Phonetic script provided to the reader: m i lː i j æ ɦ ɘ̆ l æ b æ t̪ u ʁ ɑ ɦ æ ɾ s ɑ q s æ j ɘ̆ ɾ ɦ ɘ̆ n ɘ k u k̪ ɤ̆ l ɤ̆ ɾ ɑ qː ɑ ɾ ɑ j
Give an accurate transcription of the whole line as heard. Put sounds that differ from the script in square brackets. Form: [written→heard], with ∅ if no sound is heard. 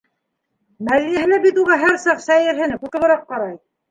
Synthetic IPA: m [i→æ] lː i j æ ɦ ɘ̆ l æ b [æ→i] t̪ u ʁ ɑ ɦ æ ɾ s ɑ q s æ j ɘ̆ ɾ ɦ ɘ̆ n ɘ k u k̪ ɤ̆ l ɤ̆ ɾ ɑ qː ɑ ɾ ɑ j